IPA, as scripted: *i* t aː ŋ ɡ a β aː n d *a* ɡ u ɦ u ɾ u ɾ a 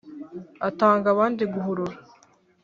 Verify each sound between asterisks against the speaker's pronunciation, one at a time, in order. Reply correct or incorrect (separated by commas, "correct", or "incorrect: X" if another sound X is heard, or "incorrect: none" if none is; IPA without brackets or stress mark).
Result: incorrect: a, incorrect: i